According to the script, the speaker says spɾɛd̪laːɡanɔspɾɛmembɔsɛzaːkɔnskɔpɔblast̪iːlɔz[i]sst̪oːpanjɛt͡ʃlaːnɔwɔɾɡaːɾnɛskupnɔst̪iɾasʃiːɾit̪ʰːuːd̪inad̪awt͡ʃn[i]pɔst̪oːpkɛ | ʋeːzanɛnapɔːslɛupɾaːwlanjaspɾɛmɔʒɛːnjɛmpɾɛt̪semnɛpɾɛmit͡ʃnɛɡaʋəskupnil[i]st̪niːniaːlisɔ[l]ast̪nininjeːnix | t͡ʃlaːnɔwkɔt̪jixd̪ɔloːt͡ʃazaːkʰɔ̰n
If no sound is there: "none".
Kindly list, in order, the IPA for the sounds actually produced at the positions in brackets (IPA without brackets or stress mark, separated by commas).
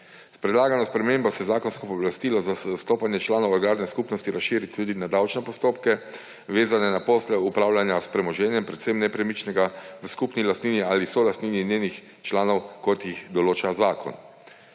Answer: a, ɛ, a, l